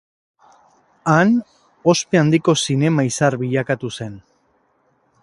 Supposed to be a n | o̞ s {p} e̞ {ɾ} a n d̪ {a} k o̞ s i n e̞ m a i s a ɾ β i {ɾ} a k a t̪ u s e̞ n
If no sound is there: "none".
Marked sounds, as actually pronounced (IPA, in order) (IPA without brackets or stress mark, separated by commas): p, none, i, ʎ